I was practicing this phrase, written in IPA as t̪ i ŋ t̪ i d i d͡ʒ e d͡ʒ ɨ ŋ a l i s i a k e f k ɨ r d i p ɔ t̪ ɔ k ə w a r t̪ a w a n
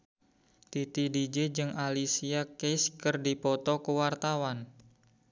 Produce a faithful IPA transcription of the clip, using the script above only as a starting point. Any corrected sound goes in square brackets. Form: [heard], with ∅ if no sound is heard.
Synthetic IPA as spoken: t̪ i [∅] t̪ i d i d͡ʒ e d͡ʒ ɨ ŋ a l i s i a k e [s] k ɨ r d i p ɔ t̪ ɔ k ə w a r t̪ a w a n